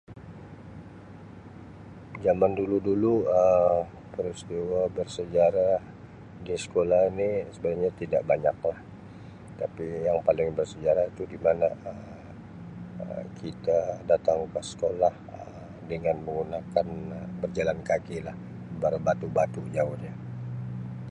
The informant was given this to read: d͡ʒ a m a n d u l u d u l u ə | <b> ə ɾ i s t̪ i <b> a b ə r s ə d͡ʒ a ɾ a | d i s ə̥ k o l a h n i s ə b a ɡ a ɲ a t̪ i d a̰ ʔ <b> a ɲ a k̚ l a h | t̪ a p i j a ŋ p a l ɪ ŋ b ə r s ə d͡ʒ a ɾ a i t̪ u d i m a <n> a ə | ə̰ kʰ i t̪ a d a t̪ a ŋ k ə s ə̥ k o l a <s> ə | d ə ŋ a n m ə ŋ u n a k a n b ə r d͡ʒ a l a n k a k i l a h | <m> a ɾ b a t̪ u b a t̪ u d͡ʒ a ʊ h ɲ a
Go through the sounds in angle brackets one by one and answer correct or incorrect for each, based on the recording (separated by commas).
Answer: incorrect, incorrect, correct, correct, incorrect, incorrect